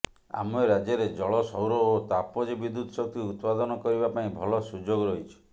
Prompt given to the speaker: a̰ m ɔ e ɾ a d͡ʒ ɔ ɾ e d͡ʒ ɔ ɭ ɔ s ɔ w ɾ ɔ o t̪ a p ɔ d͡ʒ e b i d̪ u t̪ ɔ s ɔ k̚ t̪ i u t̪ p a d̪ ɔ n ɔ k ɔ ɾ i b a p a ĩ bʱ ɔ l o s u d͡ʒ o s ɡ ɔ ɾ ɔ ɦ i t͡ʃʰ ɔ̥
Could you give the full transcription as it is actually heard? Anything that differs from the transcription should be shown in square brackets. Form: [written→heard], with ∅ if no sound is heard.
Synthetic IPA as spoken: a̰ m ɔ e ɾ a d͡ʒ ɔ ɾ e d͡ʒ ɔ ɭ ɔ s ɔ w ɾ ɔ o t̪ a p ɔ d͡ʒ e b i d̪ u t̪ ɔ s ɔ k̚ t̪ i u t̪ p a d̪ ɔ n ɔ k ɔ ɾ i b a p a ĩ bʱ ɔ l [o→ɔ] s u d͡ʒ o [s→∅] ɡ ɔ ɾ ɔ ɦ i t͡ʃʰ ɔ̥